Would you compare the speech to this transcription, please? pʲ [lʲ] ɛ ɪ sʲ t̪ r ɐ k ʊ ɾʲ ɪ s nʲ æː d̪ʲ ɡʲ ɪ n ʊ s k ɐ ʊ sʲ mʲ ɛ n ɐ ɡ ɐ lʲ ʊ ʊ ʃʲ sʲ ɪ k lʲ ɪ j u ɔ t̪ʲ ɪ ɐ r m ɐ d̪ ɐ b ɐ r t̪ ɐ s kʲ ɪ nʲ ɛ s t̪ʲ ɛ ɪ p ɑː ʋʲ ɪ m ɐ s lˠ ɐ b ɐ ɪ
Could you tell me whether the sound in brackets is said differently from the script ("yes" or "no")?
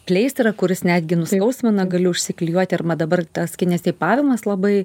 no